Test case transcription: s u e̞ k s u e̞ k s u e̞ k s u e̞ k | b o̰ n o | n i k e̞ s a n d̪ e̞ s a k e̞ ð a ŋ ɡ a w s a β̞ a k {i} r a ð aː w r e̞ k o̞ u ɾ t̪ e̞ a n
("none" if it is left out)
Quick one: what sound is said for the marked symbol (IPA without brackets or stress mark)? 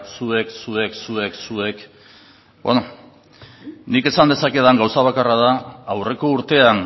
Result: a